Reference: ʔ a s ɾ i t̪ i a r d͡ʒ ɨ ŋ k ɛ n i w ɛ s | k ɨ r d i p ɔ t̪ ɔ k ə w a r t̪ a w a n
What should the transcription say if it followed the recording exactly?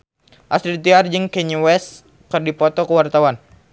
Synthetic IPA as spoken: ʔ a s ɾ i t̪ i a r d͡ʒ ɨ ŋ k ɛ ɲ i w ɛ s | k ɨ r d i p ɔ t̪ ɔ k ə w a r t̪ a w a n